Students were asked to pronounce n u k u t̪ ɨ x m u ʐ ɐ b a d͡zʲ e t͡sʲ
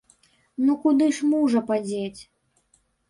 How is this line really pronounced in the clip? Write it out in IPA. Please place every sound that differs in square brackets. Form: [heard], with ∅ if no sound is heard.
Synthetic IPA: n u k u [d̪] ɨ [ʂ] m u ʐ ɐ [p] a d͡zʲ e t͡sʲ